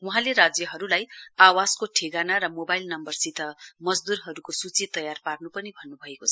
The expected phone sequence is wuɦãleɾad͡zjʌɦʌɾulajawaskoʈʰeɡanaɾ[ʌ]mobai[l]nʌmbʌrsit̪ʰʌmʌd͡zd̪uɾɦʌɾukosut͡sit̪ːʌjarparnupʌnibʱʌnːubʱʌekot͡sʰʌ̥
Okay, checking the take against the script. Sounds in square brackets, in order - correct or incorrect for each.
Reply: correct, correct

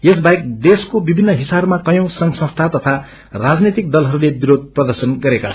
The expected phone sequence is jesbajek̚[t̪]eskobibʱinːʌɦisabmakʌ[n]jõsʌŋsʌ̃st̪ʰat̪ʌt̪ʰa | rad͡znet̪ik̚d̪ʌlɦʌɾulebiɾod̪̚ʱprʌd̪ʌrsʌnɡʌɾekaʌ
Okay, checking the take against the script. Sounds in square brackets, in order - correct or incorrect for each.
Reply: incorrect: d̪, incorrect: none

